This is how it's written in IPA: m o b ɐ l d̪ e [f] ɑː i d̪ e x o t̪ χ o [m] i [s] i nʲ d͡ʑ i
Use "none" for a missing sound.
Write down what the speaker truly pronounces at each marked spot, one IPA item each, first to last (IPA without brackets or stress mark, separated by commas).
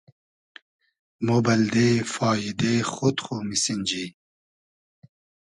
f, m, s